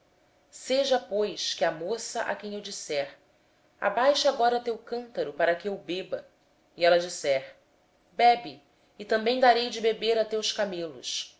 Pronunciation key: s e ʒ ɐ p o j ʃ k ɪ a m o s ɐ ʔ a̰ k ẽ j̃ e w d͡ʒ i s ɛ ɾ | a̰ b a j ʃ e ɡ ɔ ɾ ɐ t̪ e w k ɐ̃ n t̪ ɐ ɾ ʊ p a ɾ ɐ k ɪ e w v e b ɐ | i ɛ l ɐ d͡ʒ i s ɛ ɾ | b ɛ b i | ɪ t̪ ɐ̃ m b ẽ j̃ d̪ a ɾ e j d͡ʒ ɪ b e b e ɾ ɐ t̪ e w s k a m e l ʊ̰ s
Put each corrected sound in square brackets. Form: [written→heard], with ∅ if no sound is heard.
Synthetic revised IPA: s e ʒ ɐ p o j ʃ k ɪ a m o s ɐ ʔ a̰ k ẽ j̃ e w d͡ʒ i s ɛ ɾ | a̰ b a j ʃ [e→a] ɡ ɔ ɾ ɐ t̪ e w k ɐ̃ n t̪ ɐ ɾ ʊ p a ɾ ɐ k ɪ e w [v→b] e b ɐ | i ɛ l ɐ d͡ʒ i s ɛ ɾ | b ɛ b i | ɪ t̪ ɐ̃ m b ẽ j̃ d̪ a ɾ e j d͡ʒ ɪ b e b e ɾ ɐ t̪ e w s k a m e l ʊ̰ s